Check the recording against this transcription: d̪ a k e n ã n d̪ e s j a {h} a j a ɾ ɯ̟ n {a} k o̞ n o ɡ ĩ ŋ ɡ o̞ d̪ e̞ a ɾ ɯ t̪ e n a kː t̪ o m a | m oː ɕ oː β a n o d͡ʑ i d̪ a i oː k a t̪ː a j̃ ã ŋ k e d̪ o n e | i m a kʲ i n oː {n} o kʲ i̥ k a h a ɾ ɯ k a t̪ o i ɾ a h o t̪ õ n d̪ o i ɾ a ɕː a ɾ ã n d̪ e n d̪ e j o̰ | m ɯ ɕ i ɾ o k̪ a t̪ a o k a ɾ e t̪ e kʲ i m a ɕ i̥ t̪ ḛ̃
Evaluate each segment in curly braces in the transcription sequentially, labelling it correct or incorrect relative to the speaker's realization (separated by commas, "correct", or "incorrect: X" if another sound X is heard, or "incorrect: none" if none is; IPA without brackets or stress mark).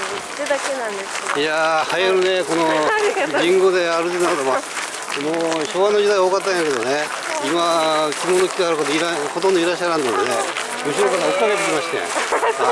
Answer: correct, incorrect: e, correct